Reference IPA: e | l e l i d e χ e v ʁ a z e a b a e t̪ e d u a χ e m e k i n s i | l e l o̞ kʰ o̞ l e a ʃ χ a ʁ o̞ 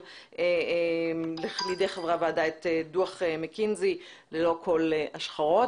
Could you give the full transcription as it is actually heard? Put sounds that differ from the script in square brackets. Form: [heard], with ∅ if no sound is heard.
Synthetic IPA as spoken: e | l e l i d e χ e v ʁ a [v] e a [d] a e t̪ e d u a χ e m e k i n [z] i | l e l o̞ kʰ o̞ l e a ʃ χ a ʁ o̞